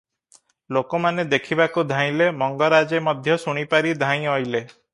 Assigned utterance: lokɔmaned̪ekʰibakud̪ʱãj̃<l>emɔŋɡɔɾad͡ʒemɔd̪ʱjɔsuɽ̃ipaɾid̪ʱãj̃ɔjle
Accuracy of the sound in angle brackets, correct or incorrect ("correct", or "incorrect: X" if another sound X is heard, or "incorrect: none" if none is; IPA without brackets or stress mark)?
correct